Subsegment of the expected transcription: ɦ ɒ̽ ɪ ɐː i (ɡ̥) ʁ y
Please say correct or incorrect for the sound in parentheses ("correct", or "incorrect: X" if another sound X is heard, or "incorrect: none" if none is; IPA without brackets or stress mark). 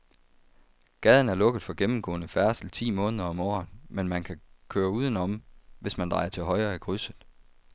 correct